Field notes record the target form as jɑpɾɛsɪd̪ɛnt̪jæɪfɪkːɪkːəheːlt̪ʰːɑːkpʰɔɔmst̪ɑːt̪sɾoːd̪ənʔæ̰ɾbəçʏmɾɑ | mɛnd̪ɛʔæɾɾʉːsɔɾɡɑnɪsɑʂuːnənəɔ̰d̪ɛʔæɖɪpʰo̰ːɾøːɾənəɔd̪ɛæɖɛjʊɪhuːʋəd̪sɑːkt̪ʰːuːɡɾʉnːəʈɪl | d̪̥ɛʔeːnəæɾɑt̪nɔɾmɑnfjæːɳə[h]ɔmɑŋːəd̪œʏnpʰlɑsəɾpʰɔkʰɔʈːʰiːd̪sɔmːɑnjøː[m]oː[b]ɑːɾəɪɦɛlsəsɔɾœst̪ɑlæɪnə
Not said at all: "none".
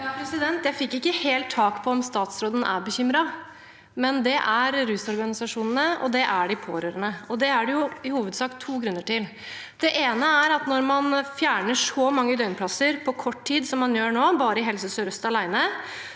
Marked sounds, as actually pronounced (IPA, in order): ʂ, ɳ, b

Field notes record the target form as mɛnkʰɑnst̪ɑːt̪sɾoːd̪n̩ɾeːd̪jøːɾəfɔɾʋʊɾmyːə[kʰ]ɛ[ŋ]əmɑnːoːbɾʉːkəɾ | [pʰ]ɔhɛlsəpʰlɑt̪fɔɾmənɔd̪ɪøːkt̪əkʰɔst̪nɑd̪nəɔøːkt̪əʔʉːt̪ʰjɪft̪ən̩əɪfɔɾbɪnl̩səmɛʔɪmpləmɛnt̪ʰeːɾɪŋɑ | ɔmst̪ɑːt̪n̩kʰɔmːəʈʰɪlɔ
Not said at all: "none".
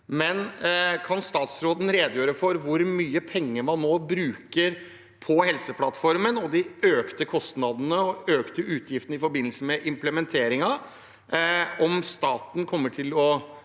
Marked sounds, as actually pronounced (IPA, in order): pʰ, ŋː, pʰ

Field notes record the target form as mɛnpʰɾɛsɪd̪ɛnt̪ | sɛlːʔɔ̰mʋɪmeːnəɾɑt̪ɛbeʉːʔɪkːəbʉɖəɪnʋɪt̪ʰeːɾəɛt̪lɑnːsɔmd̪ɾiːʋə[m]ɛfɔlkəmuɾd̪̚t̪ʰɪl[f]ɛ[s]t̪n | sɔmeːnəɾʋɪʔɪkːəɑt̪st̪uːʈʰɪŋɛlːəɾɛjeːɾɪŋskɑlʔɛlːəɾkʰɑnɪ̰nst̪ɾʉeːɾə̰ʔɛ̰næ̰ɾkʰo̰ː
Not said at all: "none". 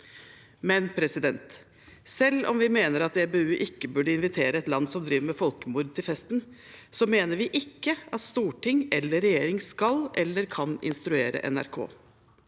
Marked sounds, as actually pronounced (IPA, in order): m, f, s

